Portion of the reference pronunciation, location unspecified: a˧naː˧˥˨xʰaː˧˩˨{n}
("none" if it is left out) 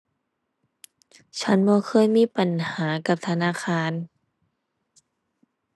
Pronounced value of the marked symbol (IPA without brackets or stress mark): n